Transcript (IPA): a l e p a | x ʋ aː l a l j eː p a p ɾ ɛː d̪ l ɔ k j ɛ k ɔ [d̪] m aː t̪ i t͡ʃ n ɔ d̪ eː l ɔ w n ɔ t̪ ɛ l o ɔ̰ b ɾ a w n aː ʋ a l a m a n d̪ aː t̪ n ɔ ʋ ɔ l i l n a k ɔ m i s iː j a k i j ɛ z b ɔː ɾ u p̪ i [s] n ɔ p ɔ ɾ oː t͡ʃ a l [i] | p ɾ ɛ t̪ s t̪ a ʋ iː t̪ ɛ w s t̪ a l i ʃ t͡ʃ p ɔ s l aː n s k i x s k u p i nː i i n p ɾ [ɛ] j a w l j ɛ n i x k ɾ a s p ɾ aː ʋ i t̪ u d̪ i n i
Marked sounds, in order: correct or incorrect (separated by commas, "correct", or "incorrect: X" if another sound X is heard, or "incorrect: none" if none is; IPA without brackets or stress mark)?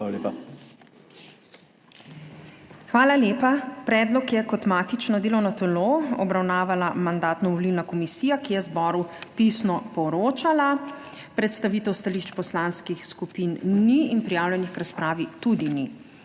incorrect: t̪, correct, incorrect: a, incorrect: i